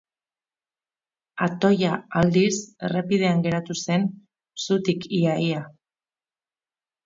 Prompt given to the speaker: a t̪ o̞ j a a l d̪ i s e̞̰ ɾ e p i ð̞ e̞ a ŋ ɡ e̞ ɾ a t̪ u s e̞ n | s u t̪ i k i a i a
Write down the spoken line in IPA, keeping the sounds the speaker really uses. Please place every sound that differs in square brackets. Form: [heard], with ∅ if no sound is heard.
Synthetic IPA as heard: a t̪ o̞ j a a l d̪ i s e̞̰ [r] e p i ð̞ e̞ a ŋ ɡ e̞ ɾ a t̪ u s e̞ n | s u t̪ i k i a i a